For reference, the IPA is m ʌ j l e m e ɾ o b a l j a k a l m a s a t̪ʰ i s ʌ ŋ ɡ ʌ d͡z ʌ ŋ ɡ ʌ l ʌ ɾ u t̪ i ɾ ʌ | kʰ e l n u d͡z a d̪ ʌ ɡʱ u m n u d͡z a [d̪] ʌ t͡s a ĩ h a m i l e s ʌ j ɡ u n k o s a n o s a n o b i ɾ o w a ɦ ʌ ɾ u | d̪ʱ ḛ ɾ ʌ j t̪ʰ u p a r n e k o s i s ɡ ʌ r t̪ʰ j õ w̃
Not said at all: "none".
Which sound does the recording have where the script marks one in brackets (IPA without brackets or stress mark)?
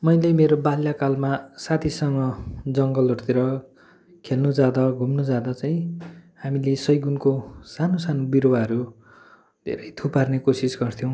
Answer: d̪